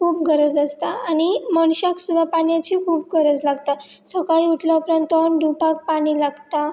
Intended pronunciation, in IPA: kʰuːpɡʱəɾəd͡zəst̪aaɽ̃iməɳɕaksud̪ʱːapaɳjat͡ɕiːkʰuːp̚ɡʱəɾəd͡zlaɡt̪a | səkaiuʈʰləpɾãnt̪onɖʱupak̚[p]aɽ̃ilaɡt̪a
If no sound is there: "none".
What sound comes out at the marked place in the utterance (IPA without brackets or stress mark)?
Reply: p